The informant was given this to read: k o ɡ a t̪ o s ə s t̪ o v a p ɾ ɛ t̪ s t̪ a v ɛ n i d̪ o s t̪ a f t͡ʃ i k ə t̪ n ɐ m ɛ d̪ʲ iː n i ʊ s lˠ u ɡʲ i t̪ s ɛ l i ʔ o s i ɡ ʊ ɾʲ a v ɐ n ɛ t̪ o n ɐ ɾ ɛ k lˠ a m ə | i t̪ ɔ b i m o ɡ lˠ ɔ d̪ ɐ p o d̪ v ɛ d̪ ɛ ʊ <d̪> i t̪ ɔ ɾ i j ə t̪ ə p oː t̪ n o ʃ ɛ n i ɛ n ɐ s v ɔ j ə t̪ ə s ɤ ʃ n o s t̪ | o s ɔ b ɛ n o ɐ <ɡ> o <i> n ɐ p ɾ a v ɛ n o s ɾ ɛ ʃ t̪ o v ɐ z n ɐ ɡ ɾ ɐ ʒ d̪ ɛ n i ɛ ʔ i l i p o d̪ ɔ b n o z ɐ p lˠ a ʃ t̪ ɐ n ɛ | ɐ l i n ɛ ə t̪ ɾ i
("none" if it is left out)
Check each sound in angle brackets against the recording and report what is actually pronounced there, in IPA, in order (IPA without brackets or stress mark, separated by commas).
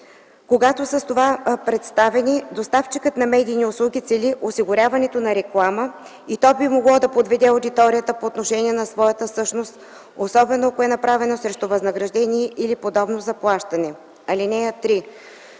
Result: d̪, k, ɛ